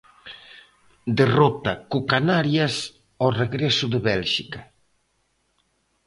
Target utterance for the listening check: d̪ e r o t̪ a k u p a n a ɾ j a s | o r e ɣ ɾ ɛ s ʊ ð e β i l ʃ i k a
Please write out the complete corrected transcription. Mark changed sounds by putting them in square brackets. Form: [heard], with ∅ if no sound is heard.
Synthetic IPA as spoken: d̪ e r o t̪ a k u [k] a n a ɾ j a s | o r e ɣ ɾ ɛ s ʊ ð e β [ɛ] l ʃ i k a